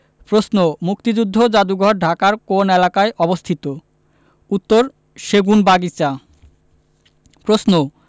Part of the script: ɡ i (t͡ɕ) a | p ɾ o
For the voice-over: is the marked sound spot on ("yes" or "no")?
yes